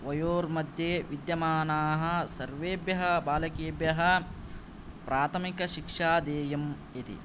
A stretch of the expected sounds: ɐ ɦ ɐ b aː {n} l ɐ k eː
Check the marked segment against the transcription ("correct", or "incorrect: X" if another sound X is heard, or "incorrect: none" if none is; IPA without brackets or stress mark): incorrect: none